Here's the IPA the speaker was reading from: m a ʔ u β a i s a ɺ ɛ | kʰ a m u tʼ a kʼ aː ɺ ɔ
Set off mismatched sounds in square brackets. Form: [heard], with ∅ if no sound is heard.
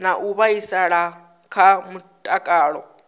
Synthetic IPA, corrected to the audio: [n] a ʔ u β a i s a ɺ [a] | kʰ a m u tʼ a kʼ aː ɺ ɔ